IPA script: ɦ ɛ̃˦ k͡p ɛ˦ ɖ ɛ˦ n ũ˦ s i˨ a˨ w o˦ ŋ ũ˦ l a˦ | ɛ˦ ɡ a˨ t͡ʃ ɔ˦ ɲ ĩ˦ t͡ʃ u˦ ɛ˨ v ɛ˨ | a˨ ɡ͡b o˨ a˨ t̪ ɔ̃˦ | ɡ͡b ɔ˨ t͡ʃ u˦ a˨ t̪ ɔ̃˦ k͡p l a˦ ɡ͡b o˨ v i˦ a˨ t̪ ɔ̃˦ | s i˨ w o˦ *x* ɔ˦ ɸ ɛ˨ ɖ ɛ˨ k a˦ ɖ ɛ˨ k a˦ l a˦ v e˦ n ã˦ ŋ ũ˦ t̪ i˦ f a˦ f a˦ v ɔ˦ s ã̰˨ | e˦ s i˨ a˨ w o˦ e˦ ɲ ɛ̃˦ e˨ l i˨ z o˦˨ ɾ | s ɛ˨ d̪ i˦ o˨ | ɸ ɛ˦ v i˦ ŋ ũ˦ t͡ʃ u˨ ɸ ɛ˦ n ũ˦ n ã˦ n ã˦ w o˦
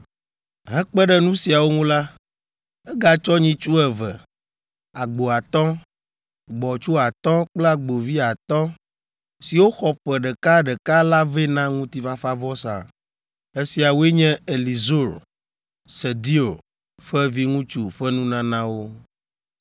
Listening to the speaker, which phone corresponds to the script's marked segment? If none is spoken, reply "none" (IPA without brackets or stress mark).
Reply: x